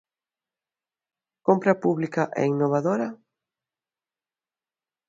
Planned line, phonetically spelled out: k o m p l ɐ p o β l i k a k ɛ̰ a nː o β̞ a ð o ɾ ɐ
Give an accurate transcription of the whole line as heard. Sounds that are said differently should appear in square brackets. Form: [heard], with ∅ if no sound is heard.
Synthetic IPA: k o m p [ɾ] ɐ p [u] β l i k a [ʔ] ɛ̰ [i] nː o β̞ a ð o ɾ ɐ

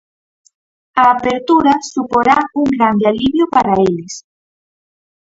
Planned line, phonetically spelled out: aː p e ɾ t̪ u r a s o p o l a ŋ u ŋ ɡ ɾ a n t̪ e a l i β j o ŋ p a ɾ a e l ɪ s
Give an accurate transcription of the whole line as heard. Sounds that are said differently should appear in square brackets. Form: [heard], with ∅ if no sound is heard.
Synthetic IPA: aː p e ɾ t̪ u [ɾ] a s [u] p o [ɾ] a [∅] u ŋ ɡ ɾ a n [d̪] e a l i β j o [∅] p a ɾ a e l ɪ s

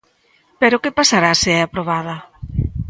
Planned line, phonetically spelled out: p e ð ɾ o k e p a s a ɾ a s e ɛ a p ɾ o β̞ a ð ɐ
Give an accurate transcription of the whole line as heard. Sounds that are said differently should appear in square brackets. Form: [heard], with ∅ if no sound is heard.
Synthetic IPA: p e [∅] ɾ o k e p a s a ɾ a s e ɛ a p ɾ o β̞ a ð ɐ

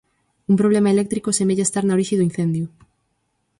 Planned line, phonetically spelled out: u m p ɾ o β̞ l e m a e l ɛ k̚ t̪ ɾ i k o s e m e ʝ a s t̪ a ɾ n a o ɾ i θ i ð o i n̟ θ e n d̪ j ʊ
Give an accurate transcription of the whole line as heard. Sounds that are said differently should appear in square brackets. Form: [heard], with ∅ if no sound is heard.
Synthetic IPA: u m p ɾ o β̞ l e m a e l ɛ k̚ t̪ ɾ i k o s e m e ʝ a s t̪ a ɾ n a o ɾ i [ʃ] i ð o i n̟ θ e n d̪ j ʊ

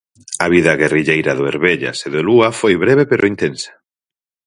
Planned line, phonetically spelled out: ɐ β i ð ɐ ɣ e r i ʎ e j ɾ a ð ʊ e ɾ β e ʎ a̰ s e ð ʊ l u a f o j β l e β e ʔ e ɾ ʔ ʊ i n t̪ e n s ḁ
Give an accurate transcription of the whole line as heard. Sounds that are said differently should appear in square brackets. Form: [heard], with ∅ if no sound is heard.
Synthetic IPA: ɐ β i ð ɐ ɣ e r i ʎ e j ɾ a ð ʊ e ɾ β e ʎ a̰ s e ð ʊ l u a f o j β [ɾ] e β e [p] e ɾ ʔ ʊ i n t̪ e n s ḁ

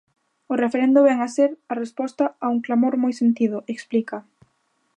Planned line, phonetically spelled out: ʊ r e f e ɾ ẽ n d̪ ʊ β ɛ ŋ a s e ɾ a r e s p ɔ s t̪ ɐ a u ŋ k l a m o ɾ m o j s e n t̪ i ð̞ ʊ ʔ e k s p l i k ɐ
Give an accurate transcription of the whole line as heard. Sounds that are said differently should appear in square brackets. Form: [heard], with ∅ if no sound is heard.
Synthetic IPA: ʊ r e f e ɾ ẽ n d̪ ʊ β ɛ ŋ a s e ɾ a r e s p ɔ s t̪ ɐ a u ŋ k l a m o ɾ m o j s e n t̪ i ð̞ ʊ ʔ e k s p l i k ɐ

